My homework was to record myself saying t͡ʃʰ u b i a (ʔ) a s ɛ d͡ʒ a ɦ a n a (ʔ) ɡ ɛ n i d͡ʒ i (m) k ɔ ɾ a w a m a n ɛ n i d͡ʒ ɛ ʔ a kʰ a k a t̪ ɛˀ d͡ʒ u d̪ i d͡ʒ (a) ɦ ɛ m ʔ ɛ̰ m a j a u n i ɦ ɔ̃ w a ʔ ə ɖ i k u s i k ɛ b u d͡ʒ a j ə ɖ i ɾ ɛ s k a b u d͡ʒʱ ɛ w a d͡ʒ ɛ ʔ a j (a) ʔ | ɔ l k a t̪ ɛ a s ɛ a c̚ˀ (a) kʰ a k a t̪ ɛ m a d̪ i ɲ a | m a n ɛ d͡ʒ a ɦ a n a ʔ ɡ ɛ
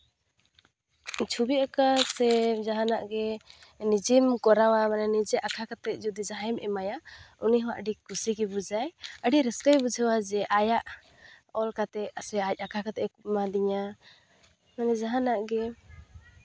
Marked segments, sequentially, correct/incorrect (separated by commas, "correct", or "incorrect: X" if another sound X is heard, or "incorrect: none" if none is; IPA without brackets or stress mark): incorrect: k, correct, correct, correct, correct, correct